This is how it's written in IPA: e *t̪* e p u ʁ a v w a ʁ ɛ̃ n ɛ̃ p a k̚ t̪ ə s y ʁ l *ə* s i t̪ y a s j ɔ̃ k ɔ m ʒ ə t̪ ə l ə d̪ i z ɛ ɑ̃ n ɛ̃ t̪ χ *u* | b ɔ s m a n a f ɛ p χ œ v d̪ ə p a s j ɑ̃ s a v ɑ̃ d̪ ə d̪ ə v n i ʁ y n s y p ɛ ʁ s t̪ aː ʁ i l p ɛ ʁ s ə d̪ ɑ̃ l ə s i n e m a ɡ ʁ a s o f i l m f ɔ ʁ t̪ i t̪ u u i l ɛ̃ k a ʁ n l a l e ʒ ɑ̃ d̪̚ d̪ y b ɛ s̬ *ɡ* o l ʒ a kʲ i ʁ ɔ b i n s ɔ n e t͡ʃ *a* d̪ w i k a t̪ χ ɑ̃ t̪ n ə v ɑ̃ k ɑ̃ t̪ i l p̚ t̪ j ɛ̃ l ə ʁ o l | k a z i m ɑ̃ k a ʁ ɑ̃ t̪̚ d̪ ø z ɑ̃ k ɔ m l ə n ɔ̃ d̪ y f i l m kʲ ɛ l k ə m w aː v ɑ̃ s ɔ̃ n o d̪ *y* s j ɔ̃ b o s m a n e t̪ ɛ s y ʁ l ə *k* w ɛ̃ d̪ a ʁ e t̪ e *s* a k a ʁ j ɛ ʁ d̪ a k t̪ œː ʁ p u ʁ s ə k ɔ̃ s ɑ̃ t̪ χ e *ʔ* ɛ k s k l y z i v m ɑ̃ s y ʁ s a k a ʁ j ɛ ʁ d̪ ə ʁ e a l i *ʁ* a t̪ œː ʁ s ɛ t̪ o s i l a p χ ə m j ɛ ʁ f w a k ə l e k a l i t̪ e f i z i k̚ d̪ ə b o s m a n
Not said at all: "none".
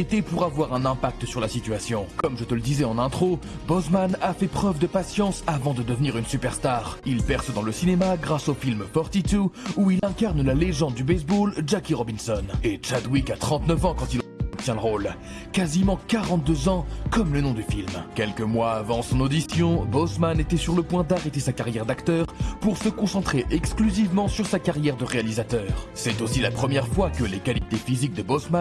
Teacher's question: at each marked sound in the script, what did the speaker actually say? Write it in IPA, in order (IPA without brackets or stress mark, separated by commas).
t̪, a, o, b, a, i, p, s, ʔ, z